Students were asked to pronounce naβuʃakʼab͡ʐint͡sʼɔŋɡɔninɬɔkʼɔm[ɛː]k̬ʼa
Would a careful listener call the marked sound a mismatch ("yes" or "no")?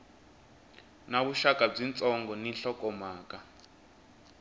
yes